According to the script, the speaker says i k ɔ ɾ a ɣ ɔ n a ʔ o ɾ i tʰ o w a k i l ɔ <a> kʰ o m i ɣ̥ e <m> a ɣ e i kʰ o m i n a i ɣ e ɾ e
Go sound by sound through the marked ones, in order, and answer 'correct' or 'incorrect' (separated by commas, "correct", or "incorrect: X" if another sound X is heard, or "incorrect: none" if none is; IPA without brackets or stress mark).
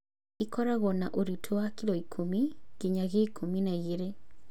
incorrect: i, incorrect: ɲ